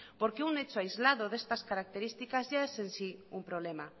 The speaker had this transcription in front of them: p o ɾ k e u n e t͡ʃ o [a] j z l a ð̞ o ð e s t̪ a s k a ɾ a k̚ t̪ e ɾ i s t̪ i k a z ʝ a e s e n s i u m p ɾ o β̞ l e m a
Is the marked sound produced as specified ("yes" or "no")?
yes